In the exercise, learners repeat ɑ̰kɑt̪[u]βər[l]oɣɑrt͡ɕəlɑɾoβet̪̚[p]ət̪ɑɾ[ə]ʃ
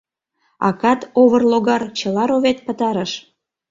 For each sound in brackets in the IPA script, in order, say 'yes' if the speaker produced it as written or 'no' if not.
no, yes, yes, yes

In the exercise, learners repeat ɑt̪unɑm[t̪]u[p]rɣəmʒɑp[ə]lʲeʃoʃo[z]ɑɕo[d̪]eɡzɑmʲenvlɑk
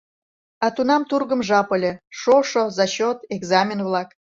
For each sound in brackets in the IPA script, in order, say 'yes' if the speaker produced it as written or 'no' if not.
yes, no, yes, yes, no

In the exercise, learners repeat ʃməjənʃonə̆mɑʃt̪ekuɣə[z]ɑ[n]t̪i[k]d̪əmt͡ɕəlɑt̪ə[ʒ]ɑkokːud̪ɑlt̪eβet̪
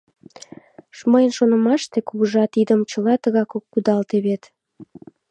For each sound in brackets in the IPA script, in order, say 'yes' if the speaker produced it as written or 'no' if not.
no, no, no, no

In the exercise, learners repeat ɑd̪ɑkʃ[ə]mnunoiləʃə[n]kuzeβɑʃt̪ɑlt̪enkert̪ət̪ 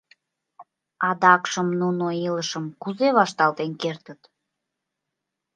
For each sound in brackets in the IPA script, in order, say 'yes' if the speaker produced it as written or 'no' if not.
yes, no

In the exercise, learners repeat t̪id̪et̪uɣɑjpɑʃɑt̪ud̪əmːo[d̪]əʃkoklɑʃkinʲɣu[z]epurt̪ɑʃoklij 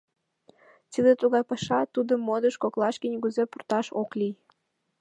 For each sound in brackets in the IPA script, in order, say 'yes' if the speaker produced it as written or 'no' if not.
yes, yes

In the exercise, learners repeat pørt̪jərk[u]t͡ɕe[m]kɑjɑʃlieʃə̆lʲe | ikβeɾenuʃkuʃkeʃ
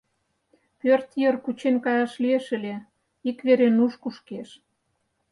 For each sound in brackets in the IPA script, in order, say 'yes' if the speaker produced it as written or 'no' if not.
yes, no

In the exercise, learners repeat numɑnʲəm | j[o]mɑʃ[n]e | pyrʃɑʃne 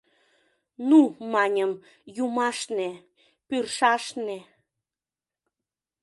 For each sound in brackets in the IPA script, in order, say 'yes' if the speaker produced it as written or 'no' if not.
no, yes

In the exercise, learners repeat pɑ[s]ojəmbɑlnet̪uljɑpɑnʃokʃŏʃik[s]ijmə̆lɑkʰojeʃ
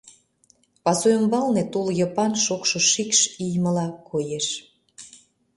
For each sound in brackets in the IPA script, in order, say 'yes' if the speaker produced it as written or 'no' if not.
yes, no

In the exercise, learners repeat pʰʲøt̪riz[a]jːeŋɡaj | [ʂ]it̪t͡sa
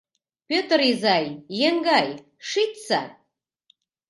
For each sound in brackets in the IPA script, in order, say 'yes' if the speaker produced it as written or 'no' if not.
yes, yes

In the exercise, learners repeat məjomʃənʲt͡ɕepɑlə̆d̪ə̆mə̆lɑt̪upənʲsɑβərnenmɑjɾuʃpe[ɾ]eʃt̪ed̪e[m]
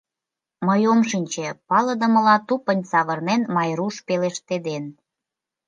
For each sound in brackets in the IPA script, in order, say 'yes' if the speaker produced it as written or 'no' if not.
no, no

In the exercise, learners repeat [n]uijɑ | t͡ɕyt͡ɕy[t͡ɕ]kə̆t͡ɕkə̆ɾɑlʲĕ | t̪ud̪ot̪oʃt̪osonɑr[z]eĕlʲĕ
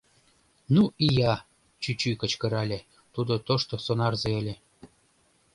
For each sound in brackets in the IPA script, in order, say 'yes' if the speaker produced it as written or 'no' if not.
yes, no, yes

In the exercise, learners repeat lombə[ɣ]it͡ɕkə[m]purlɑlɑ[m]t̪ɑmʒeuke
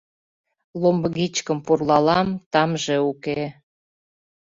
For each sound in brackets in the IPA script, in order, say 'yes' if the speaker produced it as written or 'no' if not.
yes, yes, yes

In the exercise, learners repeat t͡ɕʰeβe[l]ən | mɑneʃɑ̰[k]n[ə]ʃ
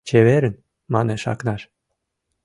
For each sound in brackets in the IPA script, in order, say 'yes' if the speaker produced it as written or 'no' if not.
no, yes, no

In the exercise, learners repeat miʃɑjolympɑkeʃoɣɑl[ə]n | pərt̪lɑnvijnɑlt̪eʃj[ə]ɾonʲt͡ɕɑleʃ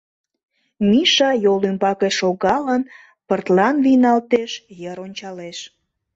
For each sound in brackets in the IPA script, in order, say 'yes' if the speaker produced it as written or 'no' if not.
yes, yes

